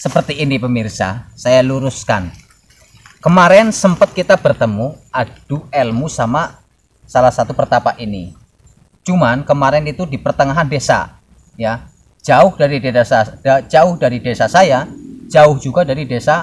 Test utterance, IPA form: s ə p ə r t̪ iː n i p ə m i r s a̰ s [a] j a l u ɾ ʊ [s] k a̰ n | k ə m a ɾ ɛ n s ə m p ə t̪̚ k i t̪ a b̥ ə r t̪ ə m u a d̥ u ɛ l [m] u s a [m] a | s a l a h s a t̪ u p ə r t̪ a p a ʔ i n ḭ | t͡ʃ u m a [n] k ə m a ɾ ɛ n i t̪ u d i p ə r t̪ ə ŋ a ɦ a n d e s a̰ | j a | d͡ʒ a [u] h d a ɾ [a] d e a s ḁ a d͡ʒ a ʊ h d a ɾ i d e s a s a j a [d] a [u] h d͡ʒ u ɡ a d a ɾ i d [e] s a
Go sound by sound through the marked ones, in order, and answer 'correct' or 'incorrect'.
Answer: correct, correct, correct, correct, correct, incorrect: ʊ, incorrect: i, incorrect: d͡ʒ, incorrect: ʊ, correct

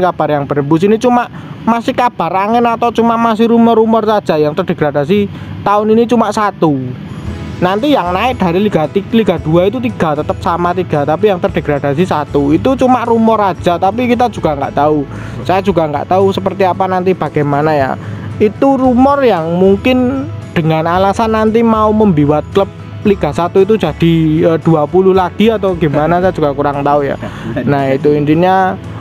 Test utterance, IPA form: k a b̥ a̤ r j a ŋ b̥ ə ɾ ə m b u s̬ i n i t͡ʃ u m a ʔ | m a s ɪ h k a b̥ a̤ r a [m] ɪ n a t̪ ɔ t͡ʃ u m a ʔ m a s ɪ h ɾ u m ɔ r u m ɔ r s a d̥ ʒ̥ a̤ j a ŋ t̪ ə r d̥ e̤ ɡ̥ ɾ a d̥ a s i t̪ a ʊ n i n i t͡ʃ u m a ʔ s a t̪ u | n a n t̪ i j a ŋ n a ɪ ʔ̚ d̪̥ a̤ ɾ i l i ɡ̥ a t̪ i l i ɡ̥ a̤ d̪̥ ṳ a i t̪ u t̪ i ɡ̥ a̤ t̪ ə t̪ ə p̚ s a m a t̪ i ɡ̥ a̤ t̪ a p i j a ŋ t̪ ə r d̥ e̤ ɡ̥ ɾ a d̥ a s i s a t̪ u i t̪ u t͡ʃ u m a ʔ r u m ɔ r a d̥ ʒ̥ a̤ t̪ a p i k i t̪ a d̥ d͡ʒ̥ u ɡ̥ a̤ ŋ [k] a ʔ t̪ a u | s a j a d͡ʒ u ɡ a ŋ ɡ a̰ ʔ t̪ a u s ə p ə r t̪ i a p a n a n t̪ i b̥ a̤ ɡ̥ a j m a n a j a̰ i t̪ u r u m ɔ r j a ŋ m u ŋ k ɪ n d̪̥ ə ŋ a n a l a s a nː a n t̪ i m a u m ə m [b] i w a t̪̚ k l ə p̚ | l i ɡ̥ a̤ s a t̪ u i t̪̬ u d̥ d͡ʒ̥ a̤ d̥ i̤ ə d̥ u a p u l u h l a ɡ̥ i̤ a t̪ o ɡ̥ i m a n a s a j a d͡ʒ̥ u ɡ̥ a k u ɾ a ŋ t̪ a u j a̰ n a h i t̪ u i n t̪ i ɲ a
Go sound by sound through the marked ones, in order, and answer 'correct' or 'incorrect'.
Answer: incorrect: ŋ, incorrect: ɡ, correct

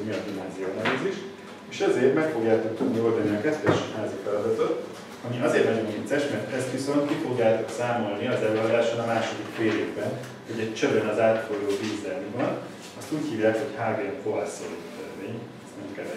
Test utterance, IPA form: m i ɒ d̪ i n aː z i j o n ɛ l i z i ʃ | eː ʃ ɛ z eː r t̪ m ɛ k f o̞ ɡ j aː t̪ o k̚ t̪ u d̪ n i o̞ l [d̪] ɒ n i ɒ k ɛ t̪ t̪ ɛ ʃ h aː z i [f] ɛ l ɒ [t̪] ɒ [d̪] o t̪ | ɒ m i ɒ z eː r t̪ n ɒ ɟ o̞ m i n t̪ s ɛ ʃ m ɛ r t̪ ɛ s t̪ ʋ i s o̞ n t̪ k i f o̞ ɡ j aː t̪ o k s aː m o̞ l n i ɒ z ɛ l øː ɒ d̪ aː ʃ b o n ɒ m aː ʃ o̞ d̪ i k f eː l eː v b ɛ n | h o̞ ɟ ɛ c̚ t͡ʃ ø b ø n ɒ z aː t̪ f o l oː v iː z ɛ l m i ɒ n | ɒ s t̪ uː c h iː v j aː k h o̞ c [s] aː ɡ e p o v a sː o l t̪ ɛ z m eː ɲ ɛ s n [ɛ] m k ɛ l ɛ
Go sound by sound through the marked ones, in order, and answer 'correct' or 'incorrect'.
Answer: correct, correct, incorrect: d̪, incorrect: t̪, incorrect: h, correct

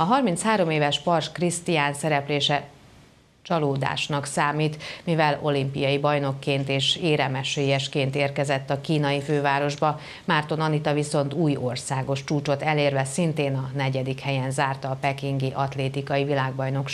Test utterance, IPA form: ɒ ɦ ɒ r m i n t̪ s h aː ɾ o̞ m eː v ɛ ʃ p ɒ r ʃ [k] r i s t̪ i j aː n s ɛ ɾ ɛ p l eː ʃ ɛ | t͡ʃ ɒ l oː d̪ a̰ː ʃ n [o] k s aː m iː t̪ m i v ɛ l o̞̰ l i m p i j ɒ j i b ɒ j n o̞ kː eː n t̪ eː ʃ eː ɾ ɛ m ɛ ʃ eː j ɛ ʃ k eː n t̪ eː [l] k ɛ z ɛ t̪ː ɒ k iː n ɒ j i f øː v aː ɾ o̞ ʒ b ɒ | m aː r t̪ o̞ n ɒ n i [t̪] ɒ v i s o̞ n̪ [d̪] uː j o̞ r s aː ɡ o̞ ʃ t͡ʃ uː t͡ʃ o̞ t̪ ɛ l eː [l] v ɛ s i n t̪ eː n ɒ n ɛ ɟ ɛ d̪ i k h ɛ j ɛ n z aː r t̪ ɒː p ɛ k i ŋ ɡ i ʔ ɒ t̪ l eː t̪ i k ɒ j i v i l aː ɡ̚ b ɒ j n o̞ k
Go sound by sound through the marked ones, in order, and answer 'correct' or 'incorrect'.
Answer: correct, incorrect: ɒ, incorrect: r, correct, incorrect: t̪, incorrect: r

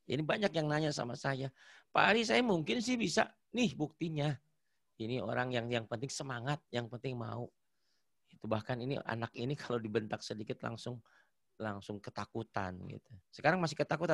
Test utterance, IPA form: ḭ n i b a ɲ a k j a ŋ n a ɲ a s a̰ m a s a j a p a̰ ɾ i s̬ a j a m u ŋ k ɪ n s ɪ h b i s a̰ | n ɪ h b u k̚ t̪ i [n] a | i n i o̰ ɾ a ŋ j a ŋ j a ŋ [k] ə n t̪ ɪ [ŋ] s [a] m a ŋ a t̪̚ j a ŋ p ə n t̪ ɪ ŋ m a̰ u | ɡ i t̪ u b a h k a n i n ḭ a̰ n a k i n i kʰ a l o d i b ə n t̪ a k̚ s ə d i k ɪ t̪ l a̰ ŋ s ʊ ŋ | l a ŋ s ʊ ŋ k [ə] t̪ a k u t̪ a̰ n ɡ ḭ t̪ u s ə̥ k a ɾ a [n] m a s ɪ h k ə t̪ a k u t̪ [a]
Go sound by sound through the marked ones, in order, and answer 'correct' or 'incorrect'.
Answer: incorrect: ɲ, incorrect: p, correct, incorrect: ə, correct, incorrect: ŋ, correct

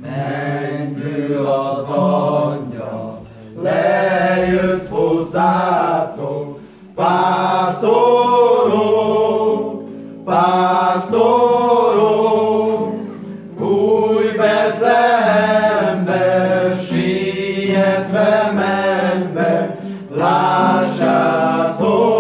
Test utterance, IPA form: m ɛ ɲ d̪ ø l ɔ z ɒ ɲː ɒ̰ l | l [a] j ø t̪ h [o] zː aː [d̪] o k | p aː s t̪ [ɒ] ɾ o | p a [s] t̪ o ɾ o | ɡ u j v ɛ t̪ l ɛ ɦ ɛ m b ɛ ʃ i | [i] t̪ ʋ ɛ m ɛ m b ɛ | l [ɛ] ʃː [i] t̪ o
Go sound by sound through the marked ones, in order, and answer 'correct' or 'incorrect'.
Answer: incorrect: ɛ, correct, incorrect: t̪, incorrect: o, correct, incorrect: ɛ, incorrect: a, incorrect: a

